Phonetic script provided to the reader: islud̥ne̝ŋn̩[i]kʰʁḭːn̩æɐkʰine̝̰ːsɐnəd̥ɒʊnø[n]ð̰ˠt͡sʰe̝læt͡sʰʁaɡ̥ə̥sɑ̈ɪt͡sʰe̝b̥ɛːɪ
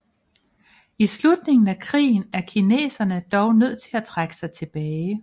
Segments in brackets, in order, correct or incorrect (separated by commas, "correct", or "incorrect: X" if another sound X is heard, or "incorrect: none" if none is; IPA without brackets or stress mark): incorrect: æ, incorrect: none